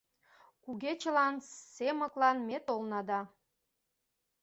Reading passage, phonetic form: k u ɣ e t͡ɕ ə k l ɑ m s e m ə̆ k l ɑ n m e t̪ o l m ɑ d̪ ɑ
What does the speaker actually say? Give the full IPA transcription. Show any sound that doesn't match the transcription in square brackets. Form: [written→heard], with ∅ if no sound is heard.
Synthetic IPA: k u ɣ e t͡ɕ ə [k→∅] l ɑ [m→n] s e m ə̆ k l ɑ n m e t̪ o l [m→n] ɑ d̪ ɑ